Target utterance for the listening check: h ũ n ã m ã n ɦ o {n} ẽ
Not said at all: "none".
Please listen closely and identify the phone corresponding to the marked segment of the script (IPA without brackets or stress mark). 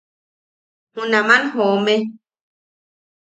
m